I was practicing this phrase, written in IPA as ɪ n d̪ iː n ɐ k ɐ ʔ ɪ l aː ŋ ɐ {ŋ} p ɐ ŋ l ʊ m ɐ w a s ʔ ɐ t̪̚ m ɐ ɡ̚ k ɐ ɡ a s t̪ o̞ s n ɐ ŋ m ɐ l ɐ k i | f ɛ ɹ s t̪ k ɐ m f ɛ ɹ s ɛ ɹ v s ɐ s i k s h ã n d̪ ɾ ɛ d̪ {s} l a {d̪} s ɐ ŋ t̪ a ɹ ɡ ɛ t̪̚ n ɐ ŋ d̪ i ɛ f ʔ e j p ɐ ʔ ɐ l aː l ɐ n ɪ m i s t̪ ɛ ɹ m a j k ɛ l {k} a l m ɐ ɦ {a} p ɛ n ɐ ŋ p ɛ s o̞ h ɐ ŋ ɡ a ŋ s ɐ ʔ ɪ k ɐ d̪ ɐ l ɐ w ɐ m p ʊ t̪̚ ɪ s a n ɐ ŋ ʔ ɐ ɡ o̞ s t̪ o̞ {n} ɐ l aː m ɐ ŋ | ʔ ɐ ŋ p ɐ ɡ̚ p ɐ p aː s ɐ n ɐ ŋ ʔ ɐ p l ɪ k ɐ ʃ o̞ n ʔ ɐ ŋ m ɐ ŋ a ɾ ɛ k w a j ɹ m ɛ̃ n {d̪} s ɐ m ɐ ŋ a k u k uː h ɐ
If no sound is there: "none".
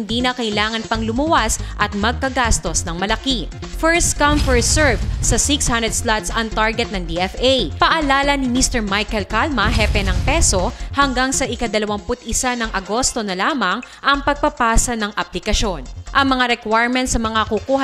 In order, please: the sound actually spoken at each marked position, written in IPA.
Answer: n, s, t̪, k, ɛ, n, t̪

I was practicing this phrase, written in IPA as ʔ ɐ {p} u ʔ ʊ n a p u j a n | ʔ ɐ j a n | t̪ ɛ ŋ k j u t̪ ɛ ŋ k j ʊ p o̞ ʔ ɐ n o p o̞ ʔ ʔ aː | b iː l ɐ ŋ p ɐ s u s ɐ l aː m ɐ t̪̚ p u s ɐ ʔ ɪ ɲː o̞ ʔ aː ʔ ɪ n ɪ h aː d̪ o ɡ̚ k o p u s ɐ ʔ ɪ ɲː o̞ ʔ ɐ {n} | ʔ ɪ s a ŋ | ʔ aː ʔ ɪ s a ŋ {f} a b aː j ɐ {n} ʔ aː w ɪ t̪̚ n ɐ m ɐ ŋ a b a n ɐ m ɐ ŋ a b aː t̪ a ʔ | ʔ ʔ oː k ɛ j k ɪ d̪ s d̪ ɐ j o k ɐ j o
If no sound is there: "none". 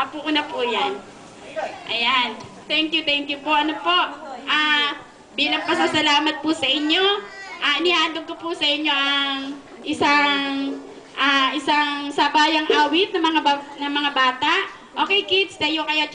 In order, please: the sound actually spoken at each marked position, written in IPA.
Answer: p, ŋ, s, ŋ

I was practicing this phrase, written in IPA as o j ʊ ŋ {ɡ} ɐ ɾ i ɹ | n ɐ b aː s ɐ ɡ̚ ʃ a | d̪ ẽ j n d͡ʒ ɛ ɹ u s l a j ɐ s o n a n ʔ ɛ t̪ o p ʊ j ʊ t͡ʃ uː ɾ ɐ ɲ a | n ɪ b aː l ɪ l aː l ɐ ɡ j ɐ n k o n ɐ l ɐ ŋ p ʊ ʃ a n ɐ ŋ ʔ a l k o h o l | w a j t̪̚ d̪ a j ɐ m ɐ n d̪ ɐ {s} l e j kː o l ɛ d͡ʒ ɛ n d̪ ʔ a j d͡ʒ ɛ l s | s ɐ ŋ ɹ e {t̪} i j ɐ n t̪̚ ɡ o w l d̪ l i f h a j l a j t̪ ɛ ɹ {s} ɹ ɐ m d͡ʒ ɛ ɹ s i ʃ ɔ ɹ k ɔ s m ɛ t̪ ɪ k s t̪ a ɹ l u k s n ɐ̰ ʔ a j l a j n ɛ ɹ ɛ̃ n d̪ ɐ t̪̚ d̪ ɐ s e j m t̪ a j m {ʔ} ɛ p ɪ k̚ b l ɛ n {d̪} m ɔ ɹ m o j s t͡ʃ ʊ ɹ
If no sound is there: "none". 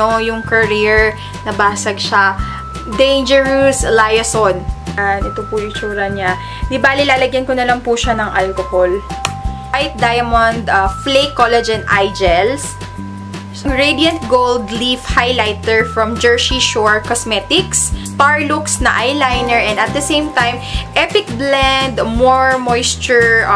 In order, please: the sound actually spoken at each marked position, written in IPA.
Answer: k, f, d̪, f, ʔ, d̪

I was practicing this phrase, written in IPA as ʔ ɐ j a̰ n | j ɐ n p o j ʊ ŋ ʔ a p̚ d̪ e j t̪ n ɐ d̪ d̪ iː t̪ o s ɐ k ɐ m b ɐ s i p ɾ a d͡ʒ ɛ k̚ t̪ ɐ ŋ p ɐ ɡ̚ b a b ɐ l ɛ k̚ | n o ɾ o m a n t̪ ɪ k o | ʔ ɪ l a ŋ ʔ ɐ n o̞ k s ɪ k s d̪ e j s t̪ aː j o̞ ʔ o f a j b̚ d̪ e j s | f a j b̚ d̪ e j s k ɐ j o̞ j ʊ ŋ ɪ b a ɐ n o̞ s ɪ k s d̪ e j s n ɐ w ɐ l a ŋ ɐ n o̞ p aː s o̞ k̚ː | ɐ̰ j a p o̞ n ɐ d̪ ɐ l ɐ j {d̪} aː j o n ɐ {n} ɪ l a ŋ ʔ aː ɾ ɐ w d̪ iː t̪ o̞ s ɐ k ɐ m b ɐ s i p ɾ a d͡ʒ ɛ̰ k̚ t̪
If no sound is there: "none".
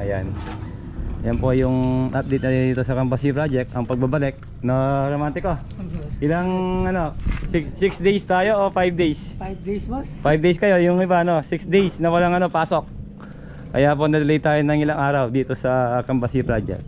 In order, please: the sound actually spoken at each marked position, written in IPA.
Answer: t̪, ŋ

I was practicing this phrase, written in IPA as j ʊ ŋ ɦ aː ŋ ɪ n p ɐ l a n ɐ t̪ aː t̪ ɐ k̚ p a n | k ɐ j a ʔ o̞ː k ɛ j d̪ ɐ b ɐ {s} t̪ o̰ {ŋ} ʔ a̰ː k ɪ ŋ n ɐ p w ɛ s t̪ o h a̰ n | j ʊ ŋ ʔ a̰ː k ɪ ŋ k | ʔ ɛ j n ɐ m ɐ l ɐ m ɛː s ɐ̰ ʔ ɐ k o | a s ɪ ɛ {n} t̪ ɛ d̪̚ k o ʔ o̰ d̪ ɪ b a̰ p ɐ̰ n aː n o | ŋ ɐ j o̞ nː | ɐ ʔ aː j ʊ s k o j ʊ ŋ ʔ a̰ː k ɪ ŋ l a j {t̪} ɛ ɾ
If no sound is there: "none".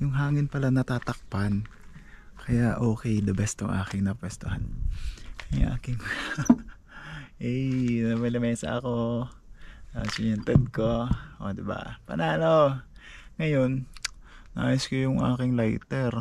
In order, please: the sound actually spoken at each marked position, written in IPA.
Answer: s, ŋ, n, t̪

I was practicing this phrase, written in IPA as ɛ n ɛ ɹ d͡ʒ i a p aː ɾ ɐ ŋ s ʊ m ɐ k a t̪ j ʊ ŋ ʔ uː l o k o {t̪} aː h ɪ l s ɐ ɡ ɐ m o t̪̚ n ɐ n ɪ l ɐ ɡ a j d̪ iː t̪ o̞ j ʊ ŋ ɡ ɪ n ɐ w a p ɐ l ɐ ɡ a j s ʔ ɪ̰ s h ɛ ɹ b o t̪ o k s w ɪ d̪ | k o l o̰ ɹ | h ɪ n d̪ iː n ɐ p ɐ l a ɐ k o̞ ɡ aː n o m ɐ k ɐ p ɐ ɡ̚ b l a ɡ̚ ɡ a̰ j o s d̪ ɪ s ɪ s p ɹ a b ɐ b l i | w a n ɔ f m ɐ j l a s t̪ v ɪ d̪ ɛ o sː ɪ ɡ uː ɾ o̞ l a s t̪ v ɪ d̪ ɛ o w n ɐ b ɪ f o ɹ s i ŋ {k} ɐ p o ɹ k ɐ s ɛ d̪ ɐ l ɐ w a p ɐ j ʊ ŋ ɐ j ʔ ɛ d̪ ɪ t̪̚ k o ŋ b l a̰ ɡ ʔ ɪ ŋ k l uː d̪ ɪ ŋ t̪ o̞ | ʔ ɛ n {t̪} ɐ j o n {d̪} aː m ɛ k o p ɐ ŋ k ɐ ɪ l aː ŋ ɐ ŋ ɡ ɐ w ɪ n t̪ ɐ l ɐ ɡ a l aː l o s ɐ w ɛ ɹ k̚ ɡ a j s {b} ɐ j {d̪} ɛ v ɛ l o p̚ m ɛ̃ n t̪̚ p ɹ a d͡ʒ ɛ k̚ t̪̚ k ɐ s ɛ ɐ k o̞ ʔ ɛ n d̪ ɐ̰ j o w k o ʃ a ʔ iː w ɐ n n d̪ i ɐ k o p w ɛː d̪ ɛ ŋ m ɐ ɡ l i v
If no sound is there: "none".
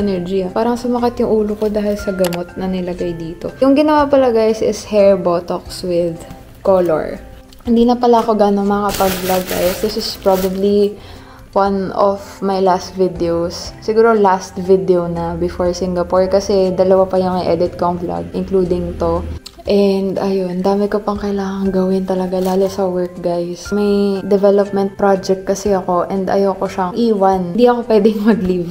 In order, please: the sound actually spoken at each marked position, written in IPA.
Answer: d̪, ɡ, d̪, d̪, m, d̪

